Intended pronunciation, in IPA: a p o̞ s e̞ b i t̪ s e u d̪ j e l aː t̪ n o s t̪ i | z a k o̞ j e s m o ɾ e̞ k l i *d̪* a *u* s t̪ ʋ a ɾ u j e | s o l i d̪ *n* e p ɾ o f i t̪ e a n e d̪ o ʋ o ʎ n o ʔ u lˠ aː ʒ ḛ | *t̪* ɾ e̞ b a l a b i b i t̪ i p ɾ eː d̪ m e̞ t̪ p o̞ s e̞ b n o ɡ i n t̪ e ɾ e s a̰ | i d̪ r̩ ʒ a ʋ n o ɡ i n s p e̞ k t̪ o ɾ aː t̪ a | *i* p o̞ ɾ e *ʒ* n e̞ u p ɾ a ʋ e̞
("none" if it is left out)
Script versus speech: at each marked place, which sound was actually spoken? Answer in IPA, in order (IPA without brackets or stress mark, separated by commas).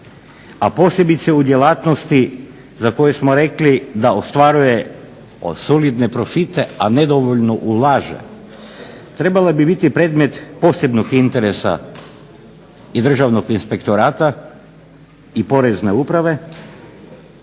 d̪, o, n, t̪, i, z